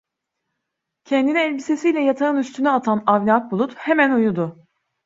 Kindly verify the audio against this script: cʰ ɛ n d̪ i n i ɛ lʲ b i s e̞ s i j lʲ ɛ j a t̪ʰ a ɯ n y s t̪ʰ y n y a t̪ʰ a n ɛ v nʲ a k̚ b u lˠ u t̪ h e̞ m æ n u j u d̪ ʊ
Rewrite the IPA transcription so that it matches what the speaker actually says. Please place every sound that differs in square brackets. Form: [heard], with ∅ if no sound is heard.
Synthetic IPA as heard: cʰ ɛ n d̪ i n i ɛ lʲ b i s e̞ s i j lʲ ɛ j a t̪ʰ a ɯ n y s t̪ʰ y n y a t̪ʰ a n [a] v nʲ a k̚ b u lˠ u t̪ h e̞ m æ n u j u d̪ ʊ